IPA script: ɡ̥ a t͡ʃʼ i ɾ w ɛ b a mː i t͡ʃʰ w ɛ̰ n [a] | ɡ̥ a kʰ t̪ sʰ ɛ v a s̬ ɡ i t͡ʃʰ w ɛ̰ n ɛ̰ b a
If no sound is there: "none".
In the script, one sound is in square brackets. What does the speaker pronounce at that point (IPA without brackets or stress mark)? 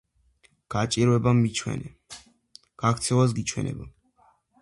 ɛ